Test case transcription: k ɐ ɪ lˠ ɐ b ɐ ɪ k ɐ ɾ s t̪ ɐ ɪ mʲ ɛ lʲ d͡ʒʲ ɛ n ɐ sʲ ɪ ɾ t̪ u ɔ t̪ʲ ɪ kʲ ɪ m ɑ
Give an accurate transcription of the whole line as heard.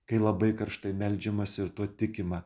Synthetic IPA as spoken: k ɐ ɪ lˠ ɐ b ɐ ɪ k ɐ ɾ ʃ t̪ ɐ ɪ mʲ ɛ lʲ d͡ʒʲ ɛ m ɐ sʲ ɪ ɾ t̪ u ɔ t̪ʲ ɪ kʲ ɪ m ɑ